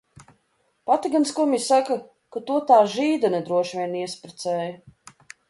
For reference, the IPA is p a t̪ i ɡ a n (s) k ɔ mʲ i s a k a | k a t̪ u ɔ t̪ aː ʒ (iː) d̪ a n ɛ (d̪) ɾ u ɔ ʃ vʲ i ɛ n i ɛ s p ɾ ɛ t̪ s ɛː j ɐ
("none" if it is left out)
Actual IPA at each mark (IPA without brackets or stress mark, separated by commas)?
s, iː, d̪